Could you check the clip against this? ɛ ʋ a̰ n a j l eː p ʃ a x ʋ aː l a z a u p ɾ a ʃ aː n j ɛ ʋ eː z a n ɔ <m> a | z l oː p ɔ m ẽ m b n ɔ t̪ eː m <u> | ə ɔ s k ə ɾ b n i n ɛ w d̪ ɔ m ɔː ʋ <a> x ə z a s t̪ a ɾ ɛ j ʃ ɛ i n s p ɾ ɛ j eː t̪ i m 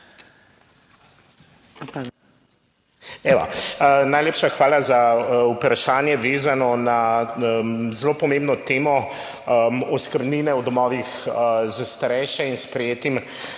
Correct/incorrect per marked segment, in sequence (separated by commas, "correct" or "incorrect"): incorrect, incorrect, incorrect